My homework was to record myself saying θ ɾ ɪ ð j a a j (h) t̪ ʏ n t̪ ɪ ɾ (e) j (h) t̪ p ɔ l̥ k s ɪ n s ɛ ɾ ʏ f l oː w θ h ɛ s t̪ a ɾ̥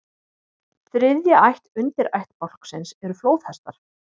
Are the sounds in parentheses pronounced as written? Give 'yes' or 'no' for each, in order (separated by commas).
yes, no, yes